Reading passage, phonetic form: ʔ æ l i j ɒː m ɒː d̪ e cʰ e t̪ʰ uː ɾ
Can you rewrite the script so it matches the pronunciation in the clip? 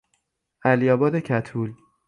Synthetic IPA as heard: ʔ æ l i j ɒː b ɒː d̪ e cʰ æ t̪ʰ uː l